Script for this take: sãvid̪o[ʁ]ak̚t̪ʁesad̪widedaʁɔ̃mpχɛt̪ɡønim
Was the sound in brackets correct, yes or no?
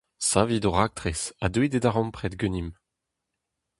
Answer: yes